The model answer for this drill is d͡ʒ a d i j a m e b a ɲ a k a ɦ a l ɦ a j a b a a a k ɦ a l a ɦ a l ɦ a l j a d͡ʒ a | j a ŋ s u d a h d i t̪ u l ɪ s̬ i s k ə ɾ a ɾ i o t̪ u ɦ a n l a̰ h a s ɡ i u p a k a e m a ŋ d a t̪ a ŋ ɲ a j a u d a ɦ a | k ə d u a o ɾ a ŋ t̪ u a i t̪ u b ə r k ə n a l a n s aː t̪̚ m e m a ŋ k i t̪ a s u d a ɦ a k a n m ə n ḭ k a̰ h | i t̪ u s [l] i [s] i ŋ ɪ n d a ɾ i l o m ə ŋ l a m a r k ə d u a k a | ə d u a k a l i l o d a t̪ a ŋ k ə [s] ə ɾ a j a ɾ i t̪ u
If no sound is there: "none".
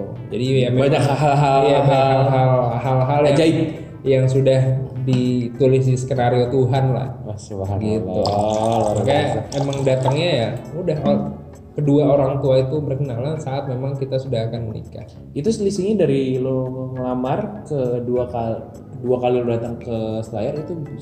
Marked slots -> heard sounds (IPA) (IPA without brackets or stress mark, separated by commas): l, s, s